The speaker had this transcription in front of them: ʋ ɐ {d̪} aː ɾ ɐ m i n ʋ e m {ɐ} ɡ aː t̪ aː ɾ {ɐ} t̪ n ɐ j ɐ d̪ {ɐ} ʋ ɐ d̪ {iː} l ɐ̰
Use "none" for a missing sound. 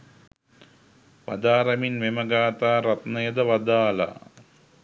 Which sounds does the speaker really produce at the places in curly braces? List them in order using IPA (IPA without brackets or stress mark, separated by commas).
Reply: d̪, ɐ, ɐ, ɐ, aː